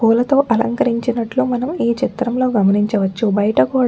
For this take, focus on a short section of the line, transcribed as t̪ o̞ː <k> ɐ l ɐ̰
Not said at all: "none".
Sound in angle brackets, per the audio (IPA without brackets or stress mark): ʔ